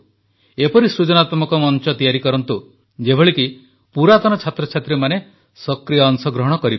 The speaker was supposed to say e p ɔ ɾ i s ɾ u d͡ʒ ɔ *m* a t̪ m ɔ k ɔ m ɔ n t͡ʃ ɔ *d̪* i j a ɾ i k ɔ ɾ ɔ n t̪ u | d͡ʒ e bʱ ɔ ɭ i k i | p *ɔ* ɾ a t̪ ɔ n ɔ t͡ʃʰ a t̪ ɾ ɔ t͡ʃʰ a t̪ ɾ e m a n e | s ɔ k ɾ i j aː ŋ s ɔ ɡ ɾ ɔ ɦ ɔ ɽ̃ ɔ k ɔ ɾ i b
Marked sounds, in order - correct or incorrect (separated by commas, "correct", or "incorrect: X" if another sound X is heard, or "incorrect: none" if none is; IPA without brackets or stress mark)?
incorrect: n, incorrect: t̪, incorrect: u